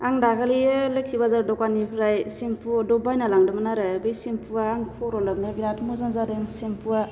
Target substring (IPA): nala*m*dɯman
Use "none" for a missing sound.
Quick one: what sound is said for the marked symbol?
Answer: ŋ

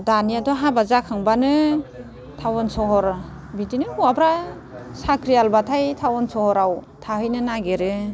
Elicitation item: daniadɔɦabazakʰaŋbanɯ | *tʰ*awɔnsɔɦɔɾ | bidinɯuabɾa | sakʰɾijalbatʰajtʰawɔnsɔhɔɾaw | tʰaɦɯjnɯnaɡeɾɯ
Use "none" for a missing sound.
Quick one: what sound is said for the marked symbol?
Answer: tʰ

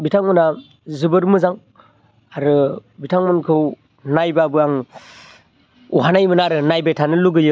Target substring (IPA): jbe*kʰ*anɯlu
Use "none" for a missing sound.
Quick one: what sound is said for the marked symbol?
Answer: tʰ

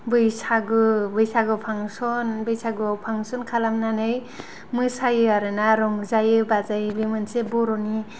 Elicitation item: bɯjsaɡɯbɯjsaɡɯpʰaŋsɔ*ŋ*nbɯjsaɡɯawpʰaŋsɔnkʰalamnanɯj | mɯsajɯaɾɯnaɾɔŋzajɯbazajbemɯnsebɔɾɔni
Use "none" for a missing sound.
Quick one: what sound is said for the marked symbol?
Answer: none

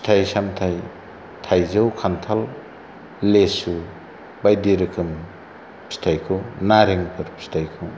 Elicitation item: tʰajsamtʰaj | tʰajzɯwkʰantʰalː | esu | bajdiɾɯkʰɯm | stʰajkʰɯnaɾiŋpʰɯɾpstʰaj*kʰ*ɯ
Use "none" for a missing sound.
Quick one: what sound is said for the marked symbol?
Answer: kʰ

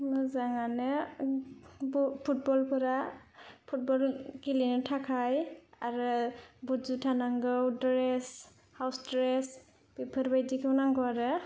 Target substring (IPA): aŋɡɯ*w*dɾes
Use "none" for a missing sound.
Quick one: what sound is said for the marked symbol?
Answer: w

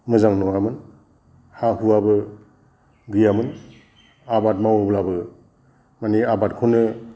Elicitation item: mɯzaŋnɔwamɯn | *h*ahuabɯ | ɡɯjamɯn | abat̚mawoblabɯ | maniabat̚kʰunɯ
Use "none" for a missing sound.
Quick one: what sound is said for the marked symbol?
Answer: h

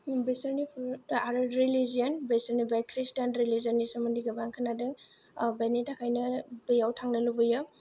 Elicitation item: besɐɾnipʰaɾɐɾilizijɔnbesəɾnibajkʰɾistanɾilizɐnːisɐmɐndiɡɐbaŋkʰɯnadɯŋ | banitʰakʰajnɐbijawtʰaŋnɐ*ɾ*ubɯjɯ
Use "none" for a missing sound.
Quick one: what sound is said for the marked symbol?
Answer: l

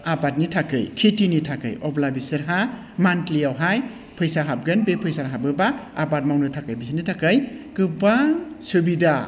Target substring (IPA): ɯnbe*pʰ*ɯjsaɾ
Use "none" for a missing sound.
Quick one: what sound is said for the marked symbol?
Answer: pʰ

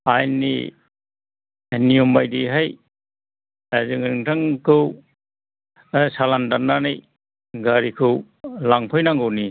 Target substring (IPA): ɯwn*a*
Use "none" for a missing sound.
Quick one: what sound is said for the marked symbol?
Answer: i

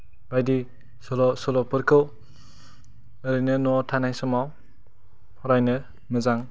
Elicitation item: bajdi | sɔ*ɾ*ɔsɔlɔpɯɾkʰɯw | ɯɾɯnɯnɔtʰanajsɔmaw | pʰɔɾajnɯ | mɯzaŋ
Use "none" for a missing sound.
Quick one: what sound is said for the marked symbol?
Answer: l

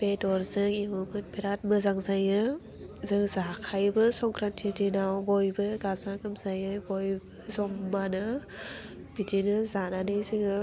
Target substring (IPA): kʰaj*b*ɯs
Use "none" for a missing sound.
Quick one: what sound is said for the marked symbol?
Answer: b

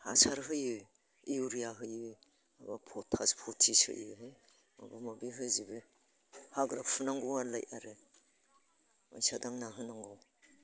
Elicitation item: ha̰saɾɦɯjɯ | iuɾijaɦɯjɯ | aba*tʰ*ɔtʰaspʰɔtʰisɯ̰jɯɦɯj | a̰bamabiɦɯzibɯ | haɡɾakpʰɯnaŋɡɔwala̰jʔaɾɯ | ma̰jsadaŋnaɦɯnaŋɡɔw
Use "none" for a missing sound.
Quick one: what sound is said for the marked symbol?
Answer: pʰ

